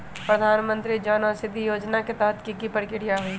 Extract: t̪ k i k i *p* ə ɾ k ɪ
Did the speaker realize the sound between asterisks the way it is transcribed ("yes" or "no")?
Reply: yes